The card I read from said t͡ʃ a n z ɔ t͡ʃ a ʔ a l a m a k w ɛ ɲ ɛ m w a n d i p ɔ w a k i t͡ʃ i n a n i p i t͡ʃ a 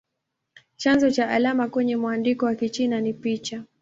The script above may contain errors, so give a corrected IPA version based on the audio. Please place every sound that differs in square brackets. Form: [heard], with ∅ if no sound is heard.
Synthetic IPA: t͡ʃ a n z ɔ t͡ʃ a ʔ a l a m a k w ɛ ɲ ɛ m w a n d i [k] ɔ w a k i t͡ʃ i n a n i p i t͡ʃ a